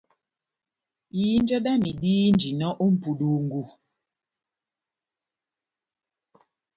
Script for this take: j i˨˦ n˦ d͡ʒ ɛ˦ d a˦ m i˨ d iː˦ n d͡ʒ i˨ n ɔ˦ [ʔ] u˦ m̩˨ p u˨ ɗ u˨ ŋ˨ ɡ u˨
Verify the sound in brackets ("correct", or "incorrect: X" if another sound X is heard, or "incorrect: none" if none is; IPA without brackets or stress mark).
correct